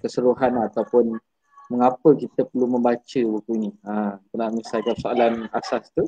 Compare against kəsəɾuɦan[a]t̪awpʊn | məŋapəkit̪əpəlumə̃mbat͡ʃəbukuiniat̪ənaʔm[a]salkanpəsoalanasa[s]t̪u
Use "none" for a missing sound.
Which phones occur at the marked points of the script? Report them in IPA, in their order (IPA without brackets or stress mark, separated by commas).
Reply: a, i, s